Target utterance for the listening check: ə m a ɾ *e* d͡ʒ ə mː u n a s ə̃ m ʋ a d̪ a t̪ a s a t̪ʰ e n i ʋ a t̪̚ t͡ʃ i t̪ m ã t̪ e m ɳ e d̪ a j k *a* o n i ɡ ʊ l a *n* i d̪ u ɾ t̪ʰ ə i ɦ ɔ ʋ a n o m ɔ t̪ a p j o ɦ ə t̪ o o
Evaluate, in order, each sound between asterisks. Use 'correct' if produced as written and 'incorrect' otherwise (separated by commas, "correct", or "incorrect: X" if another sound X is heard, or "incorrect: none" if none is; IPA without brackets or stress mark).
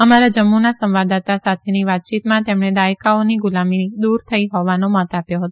incorrect: a, correct, incorrect: m